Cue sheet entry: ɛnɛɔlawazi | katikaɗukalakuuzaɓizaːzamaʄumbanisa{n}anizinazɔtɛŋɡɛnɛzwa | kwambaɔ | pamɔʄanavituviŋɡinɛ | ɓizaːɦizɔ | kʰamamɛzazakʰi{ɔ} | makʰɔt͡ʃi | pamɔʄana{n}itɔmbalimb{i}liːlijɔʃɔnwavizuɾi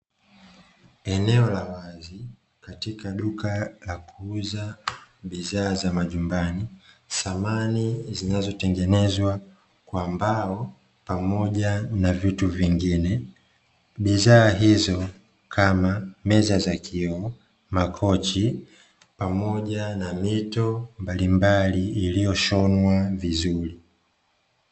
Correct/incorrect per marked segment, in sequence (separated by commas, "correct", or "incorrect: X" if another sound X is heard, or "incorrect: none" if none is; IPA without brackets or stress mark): incorrect: m, correct, incorrect: m, incorrect: a